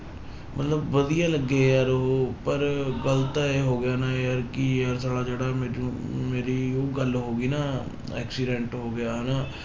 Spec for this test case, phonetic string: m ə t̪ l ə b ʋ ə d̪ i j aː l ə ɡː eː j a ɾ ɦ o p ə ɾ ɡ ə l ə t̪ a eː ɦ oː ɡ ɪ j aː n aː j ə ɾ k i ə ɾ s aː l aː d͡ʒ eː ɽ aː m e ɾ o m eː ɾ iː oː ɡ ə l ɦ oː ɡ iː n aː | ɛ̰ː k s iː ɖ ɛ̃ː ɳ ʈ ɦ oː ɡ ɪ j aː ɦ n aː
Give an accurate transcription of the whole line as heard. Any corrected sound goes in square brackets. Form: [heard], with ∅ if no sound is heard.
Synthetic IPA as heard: m ə t̪ l ə b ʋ ə d̪ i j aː l ə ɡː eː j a ɾ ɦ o p ə ɾ ɡ ə l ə t̪ a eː ɦ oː ɡ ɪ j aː n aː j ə ɾ k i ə ɾ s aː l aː d͡ʒ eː ɽ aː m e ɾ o m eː ɾ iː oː ɡ ə l ɦ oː ɡ iː n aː | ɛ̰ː k s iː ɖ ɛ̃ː ɳ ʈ ɦ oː ɡ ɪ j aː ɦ n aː

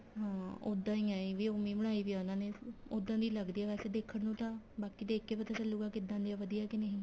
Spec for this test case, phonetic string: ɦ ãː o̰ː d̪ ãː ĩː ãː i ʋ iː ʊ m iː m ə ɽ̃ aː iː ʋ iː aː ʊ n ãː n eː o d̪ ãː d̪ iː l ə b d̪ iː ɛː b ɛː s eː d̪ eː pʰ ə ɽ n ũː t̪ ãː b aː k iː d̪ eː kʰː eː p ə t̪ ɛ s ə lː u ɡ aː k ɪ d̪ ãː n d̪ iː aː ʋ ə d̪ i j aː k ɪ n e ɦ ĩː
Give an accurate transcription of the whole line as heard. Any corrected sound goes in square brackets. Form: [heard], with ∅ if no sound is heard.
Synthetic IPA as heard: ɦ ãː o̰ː d̪ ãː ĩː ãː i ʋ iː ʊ m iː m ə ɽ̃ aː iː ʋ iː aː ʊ n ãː n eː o d̪ ãː d̪ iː l ə [ɡ] d̪ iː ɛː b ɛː s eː d̪ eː [kʰ] ə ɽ n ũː t̪ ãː b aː k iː d̪ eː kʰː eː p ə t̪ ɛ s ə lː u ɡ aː k ɪ d̪ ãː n d̪ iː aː ʋ ə d̪ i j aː k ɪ n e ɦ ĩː

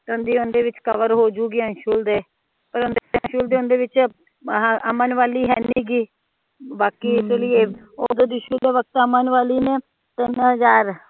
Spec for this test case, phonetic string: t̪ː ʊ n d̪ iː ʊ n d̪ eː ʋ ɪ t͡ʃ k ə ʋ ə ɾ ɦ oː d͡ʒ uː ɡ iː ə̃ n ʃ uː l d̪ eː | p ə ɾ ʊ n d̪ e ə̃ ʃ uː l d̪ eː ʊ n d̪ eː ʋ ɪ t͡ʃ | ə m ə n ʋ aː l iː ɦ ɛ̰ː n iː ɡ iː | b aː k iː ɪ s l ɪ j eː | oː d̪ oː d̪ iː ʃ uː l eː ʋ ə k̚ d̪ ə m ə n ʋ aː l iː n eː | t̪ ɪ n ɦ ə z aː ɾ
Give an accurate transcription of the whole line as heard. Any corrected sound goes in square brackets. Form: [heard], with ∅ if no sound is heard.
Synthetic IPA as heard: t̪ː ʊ n d̪ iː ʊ n d̪ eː ʋ ɪ t͡ʃ k ə ʋ ə ɾ ɦ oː d͡ʒ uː ɡ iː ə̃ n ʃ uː l d̪ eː | p ə ɾ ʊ n d̪ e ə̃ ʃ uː l d̪ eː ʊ n d̪ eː ʋ ɪ t͡ʃ | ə m ə n ʋ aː l iː ɦ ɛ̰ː n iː ɡ iː | b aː k iː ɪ s l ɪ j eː | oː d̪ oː d̪ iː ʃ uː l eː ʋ ə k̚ [t̪] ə m ə n ʋ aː l iː n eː | t̪ ɪ n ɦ ə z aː ɾ

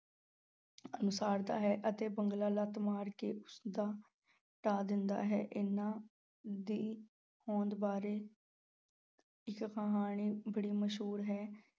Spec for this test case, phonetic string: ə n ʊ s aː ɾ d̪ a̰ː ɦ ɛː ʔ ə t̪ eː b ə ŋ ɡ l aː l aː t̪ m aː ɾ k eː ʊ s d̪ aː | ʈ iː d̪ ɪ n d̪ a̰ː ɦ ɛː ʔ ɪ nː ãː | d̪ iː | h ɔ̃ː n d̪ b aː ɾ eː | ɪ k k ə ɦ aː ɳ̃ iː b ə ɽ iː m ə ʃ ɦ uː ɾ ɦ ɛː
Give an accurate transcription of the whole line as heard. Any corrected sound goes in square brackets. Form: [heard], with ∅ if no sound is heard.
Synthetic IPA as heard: ə n ʊ s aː ɾ d̪ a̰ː ɦ ɛː ʔ ə t̪ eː b ə ŋ ɡ l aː l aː t̪ m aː ɾ k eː ʊ s d̪ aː | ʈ [aː] d̪ ɪ n d̪ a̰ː ɦ ɛː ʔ ɪ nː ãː | d̪ iː | h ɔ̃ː n d̪ b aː ɾ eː | ɪ k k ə ɦ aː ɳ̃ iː b ə ɽ iː m ə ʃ ɦ uː ɾ ɦ ɛː

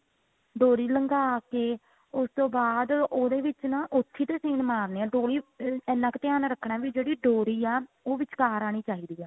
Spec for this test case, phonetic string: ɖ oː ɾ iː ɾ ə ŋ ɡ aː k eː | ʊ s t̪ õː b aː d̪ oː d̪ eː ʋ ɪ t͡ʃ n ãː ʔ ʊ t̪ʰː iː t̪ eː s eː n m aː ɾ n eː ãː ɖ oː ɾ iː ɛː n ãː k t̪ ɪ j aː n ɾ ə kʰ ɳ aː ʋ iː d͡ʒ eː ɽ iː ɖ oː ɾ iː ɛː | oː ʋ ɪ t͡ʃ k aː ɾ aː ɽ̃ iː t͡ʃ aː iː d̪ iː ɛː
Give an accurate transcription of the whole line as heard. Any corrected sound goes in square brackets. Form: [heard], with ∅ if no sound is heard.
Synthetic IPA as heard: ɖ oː ɾ iː [l] ə ŋ ɡ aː k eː | ʊ s t̪ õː b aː d̪ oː d̪ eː ʋ ɪ t͡ʃ n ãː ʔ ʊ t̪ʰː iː t̪ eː s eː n m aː ɾ n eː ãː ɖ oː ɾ iː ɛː n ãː k t̪ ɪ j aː n ɾ ə kʰ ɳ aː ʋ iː d͡ʒ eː ɽ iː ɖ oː ɾ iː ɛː | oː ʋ ɪ t͡ʃ k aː ɾ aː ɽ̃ iː t͡ʃ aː iː d̪ iː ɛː

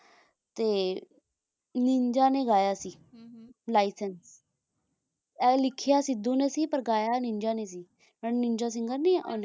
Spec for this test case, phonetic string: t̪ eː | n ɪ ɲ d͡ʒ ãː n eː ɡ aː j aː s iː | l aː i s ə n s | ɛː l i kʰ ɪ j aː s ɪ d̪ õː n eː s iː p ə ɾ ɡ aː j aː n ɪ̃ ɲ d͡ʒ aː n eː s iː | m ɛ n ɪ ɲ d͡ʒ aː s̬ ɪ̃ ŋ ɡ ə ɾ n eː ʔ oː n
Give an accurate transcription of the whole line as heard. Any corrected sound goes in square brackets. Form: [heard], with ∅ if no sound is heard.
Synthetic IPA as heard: t̪ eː | n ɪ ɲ d͡ʒ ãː n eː ɡ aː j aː s iː | l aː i s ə n s | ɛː l [ɪ] kʰ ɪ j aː s ɪ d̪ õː n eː s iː p ə ɾ ɡ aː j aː n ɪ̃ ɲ d͡ʒ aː n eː s iː | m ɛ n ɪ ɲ d͡ʒ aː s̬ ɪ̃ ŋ ɡ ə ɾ n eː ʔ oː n

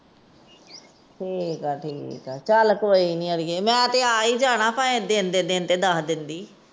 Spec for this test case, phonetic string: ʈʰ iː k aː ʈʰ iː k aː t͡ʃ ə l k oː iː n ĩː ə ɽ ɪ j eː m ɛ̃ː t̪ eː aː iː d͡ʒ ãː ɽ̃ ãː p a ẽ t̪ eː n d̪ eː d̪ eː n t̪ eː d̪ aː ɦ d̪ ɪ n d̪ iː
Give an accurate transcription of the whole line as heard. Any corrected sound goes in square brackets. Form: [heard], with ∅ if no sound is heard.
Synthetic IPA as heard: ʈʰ iː k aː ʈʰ iː k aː t͡ʃ ə l k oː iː n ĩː ə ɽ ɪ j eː m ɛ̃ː t̪ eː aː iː d͡ʒ [aː] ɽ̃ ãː p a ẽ [d̪] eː n d̪ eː d̪ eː n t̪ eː d̪ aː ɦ d̪ ɪ n d̪ iː

